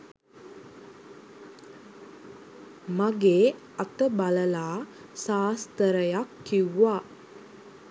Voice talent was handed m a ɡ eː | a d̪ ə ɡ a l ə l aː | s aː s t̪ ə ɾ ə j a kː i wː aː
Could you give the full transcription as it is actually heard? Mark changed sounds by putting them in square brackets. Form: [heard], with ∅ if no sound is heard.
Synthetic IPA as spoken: m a ɡ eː | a [t̪] ə [b] a l ə l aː | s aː s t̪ ə ɾ ə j a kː i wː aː